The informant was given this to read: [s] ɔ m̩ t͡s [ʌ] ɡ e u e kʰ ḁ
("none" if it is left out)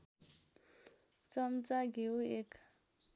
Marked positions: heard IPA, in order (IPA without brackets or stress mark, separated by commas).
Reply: t͡s, a